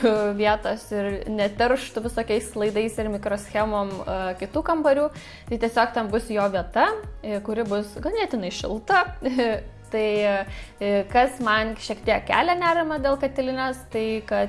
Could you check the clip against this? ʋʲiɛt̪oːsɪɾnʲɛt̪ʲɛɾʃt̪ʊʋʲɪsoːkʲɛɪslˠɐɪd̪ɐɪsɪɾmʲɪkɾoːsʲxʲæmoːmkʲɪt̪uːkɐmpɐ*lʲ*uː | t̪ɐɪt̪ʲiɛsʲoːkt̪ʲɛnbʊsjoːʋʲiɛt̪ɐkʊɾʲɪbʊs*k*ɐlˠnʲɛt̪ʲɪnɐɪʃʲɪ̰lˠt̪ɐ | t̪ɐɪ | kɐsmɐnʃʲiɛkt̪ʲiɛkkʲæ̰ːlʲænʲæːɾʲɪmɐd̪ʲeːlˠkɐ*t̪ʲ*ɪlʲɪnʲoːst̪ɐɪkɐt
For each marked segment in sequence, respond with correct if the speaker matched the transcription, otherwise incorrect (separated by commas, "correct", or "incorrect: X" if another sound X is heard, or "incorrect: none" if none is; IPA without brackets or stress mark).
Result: incorrect: ɾʲ, incorrect: ɡ, correct